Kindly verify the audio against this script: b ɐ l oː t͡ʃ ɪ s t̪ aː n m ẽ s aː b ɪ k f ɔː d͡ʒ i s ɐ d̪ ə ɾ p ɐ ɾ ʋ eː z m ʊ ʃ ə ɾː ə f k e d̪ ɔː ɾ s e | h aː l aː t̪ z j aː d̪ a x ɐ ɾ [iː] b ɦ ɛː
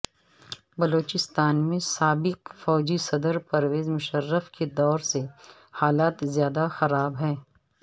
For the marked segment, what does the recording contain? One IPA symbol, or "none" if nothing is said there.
aː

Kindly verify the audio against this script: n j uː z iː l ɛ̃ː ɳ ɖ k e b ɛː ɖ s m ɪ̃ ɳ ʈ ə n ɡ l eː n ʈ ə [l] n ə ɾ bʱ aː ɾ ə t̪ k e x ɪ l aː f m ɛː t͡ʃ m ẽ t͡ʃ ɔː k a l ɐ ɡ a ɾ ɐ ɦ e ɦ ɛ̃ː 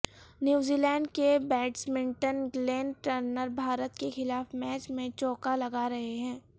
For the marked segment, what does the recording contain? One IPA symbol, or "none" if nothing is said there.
ɾ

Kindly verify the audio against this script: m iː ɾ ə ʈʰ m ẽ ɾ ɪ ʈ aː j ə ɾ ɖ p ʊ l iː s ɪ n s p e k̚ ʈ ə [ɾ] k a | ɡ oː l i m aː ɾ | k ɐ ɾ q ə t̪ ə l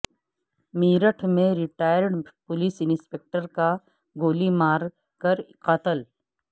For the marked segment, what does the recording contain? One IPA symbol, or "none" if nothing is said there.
ɾ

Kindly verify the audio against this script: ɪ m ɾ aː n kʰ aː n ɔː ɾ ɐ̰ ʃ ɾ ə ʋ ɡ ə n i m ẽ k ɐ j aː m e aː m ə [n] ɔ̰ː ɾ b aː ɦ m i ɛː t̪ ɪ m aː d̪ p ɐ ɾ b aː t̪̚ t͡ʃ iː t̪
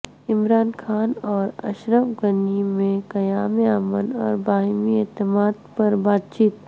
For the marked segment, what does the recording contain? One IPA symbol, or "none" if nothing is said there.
n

